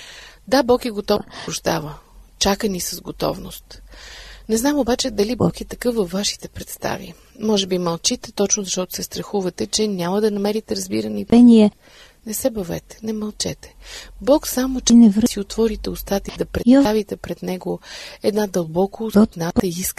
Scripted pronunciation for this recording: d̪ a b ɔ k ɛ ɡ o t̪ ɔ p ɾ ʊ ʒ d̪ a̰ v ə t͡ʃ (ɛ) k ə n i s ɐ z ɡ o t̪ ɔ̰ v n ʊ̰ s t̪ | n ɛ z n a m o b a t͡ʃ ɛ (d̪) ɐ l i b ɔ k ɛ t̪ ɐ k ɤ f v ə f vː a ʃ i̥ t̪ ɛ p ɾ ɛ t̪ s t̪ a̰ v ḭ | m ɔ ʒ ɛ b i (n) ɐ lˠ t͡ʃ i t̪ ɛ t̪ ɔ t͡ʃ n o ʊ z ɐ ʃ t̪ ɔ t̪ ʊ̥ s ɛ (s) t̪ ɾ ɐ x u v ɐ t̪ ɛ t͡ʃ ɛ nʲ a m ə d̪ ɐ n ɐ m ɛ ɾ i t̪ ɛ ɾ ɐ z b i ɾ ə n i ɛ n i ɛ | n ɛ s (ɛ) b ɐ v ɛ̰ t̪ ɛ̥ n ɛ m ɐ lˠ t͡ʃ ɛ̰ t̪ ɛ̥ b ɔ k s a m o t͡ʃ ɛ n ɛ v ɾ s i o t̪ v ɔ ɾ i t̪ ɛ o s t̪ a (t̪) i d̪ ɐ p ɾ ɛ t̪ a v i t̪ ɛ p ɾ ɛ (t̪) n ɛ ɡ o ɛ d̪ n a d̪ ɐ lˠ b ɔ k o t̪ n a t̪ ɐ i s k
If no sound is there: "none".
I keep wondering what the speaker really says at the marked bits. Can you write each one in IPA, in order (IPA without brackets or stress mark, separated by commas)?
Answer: a, d̪, m, s, ɛ, t̪, d̪